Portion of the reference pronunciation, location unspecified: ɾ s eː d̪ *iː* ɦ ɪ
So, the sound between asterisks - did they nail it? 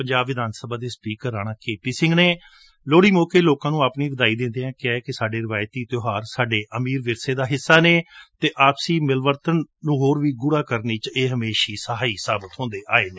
no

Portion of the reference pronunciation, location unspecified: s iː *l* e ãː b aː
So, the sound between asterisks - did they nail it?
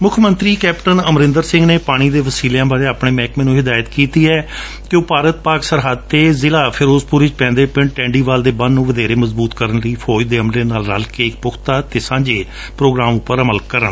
yes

